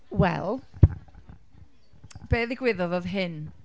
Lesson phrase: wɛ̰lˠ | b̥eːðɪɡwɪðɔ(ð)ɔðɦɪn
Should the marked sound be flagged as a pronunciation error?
no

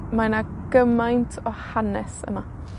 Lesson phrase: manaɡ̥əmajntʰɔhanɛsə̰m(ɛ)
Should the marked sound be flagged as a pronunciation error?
yes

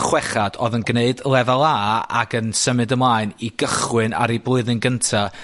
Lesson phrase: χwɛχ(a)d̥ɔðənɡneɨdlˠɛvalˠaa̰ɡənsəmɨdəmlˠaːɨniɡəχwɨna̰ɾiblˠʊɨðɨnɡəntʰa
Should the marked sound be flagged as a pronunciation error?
no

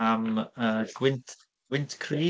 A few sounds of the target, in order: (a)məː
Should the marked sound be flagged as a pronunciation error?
no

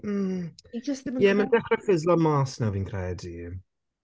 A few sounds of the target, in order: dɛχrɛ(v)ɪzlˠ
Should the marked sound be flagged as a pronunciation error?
yes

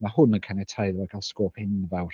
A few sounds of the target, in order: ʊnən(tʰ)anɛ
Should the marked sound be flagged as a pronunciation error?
yes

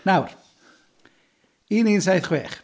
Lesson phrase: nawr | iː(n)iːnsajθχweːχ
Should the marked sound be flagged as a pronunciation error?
no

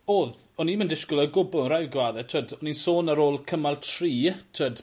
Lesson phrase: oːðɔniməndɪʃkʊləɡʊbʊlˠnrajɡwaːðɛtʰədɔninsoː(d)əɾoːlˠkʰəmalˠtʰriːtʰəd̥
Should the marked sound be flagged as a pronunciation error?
yes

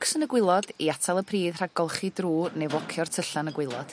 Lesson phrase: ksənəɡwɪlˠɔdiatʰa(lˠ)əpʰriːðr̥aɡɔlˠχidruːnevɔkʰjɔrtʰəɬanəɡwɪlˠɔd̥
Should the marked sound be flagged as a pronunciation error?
no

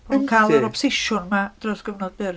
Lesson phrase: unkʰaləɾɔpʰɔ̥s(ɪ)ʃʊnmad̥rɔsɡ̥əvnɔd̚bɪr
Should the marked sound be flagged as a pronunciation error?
no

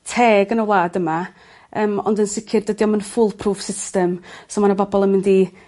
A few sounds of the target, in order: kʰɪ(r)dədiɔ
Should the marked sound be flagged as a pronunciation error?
no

